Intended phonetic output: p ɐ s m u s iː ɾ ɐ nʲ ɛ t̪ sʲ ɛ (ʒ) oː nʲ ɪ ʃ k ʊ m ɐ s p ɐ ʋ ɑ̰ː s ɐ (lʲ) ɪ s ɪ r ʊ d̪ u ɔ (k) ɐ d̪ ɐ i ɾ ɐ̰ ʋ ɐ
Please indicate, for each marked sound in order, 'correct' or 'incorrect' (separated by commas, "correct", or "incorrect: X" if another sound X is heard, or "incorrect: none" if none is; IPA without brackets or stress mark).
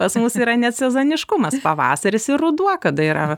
incorrect: z, incorrect: ɾʲ, correct